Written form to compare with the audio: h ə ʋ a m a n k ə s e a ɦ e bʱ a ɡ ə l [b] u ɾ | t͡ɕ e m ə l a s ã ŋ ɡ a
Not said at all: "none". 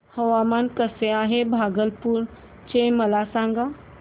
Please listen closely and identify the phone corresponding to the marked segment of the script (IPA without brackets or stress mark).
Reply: p